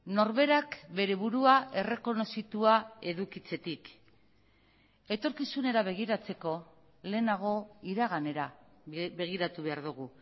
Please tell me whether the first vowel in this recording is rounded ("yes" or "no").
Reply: yes